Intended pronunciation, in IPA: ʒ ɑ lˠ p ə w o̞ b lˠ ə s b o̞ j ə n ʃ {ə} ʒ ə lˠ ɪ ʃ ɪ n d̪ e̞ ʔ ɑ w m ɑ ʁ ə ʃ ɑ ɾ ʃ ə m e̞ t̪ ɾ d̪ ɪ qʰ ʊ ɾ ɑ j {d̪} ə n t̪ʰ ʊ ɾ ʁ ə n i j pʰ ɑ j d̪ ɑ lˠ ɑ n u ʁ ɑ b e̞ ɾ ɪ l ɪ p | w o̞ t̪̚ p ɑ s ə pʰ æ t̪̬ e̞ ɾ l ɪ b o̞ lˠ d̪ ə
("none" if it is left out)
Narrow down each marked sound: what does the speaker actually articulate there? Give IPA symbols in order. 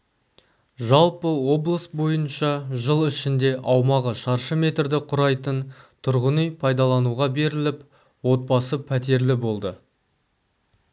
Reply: ɑ, t̪

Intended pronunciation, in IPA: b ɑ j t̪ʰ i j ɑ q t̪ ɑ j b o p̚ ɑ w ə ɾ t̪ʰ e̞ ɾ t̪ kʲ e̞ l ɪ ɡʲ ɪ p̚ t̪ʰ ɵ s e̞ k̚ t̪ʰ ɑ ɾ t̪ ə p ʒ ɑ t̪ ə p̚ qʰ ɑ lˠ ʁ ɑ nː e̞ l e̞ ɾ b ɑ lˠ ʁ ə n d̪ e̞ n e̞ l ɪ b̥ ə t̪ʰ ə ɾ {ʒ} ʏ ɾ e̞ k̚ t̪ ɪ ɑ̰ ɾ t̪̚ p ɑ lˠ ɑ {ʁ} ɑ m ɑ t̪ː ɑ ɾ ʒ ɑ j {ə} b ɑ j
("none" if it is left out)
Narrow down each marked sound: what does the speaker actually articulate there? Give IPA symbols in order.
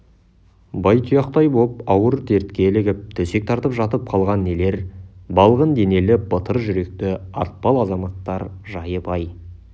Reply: ʒ, z, ə

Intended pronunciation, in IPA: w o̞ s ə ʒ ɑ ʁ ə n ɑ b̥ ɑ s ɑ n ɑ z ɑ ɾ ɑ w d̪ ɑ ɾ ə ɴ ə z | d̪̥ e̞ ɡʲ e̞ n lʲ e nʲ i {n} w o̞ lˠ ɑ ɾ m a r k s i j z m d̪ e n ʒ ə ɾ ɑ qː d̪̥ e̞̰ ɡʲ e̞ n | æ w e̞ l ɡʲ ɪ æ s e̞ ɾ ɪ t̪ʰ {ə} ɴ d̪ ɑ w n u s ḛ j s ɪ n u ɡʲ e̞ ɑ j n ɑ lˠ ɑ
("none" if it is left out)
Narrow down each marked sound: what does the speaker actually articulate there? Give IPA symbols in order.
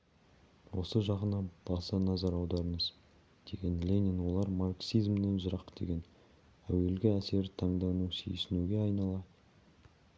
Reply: n, ɑ

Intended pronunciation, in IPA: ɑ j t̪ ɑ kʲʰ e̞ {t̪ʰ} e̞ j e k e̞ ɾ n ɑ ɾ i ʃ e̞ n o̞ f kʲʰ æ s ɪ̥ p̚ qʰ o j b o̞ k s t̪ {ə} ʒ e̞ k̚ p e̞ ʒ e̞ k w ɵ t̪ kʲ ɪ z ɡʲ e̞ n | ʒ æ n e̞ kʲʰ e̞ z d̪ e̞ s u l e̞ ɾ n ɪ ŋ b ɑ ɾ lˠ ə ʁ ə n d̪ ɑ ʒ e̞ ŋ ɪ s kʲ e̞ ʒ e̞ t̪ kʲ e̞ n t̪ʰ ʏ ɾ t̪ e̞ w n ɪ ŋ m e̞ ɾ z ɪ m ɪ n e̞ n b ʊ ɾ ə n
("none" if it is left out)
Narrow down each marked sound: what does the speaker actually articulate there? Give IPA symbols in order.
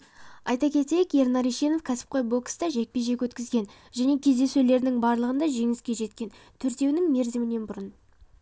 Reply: t̪, ɑ

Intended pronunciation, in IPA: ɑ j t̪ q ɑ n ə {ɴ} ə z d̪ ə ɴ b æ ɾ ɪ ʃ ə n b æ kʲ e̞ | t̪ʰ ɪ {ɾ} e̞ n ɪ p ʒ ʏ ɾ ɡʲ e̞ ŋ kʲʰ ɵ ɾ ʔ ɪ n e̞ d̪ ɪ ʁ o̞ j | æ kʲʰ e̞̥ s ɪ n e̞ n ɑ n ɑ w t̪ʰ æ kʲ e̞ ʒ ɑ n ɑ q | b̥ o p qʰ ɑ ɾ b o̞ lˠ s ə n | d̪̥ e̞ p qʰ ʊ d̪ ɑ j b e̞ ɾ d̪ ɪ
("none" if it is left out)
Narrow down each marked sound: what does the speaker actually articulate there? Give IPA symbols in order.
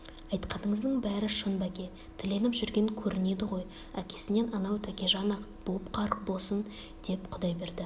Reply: ɴ, l

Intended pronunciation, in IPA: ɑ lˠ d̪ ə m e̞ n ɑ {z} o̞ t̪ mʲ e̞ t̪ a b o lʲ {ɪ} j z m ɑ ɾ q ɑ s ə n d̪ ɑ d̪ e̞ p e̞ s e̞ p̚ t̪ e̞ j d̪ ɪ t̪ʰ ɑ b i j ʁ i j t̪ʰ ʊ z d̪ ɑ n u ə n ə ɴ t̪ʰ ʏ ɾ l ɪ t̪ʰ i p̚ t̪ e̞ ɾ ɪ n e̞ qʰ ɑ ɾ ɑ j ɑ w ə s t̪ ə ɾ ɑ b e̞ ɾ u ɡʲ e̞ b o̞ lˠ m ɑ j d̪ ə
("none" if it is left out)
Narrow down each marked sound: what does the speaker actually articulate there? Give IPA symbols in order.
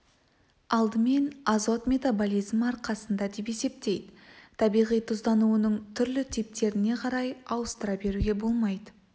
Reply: z, i

